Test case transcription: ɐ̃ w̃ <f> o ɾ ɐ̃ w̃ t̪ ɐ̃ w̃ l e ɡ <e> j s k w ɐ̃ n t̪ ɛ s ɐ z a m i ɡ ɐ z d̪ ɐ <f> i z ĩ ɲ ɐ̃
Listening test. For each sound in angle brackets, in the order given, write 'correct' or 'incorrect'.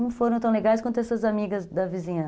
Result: correct, incorrect, incorrect

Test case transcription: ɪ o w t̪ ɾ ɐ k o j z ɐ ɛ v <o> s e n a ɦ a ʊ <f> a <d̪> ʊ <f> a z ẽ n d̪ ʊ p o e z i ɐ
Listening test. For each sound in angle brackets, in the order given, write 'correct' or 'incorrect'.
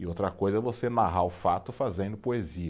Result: correct, correct, incorrect, correct

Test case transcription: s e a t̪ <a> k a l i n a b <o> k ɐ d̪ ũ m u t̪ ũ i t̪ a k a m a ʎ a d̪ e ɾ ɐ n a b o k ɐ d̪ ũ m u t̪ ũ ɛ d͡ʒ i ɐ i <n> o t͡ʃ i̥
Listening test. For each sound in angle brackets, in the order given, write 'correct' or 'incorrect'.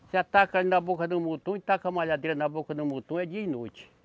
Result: correct, correct, correct

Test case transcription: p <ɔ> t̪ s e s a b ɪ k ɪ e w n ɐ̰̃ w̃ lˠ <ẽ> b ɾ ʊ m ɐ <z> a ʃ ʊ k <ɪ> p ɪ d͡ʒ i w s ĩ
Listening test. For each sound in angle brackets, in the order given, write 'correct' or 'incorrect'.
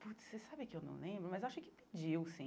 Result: incorrect, correct, correct, correct

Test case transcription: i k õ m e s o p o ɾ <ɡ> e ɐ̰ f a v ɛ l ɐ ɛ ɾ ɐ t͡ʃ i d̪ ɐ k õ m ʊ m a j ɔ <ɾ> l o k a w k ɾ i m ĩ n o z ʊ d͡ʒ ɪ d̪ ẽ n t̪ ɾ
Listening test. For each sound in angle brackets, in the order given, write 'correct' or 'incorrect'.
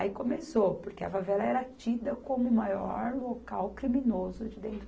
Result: incorrect, correct

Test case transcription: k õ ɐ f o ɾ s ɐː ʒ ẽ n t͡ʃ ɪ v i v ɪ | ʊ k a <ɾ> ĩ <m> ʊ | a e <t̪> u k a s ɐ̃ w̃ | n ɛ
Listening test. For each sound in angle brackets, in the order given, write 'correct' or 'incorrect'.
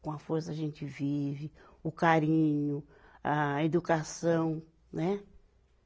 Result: correct, incorrect, incorrect

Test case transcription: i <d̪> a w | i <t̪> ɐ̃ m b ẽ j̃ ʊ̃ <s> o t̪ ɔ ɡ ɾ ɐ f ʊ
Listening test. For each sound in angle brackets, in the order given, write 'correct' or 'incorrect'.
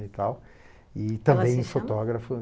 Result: incorrect, correct, incorrect

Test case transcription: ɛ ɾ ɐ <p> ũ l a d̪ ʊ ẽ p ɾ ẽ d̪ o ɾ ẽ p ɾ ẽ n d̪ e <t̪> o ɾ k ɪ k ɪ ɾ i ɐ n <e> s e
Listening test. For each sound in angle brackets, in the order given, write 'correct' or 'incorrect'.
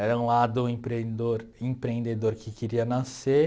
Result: incorrect, incorrect, incorrect

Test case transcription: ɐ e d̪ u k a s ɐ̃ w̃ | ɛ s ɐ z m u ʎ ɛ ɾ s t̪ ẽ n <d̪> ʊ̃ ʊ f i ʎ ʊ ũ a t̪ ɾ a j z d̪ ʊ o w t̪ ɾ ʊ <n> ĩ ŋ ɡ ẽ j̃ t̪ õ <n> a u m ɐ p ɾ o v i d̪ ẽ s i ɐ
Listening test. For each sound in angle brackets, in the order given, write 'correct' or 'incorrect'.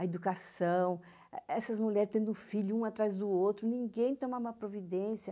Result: correct, correct, incorrect

